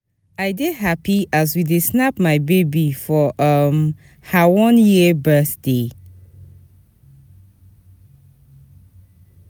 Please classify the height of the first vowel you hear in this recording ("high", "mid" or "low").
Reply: low